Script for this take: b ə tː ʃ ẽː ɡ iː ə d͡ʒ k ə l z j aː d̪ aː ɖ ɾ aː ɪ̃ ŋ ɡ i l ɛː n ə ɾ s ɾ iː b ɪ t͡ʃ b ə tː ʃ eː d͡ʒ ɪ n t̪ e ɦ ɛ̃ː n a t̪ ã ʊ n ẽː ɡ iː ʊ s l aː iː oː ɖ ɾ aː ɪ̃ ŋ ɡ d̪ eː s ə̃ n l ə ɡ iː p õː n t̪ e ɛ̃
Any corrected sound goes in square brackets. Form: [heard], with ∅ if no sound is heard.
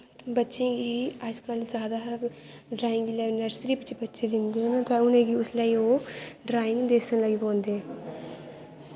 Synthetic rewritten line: b ə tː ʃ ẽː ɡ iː ə d͡ʒ k ə l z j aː d̪ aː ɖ ɾ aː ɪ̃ ŋ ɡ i l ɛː n ə ɾ s ɾ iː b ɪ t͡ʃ b ə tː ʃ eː d͡ʒ ɪ n [d̪] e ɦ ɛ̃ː n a t̪ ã ʊ n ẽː ɡ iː ʊ s l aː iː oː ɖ ɾ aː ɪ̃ ŋ ɡ d̪ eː s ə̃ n l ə ɡ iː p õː n [d̪] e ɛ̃